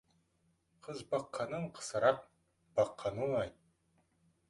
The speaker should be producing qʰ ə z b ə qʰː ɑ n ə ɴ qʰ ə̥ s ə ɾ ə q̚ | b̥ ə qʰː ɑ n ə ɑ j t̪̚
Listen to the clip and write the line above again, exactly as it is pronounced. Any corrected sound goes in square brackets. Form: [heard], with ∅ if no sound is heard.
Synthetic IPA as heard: qʰ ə z b [ɑ] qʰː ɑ n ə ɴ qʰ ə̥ s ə ɾ [ɑ] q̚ | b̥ [ɑ] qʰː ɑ n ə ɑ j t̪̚